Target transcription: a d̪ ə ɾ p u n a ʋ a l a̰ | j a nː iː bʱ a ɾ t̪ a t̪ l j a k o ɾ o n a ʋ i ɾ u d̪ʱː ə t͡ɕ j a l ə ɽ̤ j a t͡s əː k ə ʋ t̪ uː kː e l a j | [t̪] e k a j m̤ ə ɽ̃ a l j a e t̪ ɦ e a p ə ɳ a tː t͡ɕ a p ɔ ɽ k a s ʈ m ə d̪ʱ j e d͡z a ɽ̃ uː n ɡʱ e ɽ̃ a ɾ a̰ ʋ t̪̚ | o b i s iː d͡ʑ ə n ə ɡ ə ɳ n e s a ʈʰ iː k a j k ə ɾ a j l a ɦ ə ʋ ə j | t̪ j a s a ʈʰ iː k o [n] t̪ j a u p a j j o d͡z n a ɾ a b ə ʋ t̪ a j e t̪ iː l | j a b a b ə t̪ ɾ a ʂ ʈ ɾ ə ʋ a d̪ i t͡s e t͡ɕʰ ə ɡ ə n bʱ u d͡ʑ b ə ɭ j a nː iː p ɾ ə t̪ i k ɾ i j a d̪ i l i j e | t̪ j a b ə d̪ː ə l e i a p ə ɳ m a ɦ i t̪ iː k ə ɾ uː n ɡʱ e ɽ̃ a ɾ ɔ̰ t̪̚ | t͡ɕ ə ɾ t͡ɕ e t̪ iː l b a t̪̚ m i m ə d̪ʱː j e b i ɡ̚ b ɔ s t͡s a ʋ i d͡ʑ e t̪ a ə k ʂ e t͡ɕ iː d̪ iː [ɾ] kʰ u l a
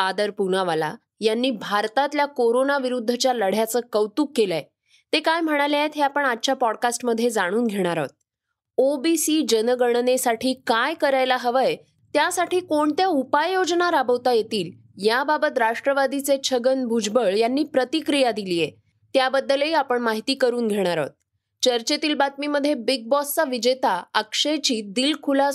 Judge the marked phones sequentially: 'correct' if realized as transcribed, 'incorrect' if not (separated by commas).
correct, incorrect, incorrect